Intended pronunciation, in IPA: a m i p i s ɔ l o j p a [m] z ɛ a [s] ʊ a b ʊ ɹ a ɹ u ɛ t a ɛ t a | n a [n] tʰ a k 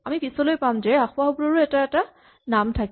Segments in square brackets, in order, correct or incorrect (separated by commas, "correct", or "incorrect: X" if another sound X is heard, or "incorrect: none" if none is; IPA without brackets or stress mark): correct, incorrect: x, incorrect: m